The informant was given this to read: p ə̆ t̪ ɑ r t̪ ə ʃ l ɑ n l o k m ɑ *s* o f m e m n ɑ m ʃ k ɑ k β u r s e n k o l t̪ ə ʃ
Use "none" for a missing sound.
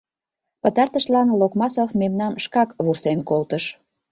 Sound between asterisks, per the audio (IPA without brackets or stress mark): s